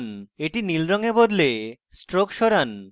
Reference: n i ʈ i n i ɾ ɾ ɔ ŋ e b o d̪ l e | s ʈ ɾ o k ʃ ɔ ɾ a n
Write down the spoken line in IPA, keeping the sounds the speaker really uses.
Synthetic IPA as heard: n e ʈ i n i l ɾ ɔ ŋ e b o d̪ l e | s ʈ ɾ o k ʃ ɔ ɾ a n